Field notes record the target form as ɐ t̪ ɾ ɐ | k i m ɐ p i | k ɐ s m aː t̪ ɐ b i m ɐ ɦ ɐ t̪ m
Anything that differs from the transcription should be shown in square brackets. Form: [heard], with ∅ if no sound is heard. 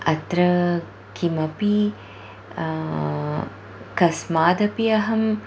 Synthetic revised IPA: ɐ t̪ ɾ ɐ | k i m ɐ p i | k ɐ s m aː [d̪] ɐ [p] i [∅] ɐ ɦ ɐ [∅] m